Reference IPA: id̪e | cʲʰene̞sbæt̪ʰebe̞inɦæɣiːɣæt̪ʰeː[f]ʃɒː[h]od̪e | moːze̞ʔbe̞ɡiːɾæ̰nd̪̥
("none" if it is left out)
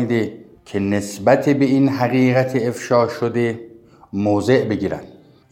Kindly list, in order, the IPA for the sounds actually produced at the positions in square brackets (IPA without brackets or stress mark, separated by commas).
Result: f, ʃ